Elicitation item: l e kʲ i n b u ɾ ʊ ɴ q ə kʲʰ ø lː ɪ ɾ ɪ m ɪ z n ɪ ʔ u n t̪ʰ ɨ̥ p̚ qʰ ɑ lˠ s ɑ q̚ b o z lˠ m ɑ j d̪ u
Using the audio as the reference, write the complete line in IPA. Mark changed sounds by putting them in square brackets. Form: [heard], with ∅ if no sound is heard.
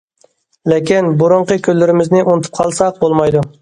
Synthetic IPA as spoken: l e kʲ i n b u ɾ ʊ ɴ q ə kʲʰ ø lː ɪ ɾ ɪ m ɪ z n ɪ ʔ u n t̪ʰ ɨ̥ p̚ qʰ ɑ lˠ s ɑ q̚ b o [∅] lˠ m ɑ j d̪ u